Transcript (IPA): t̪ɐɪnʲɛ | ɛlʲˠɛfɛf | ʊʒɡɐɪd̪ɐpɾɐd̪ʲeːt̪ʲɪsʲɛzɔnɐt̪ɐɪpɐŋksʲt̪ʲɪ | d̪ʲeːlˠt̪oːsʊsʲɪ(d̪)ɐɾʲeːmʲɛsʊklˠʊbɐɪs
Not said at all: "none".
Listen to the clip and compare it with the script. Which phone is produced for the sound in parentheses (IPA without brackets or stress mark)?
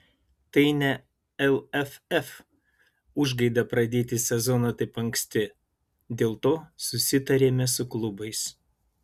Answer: t̪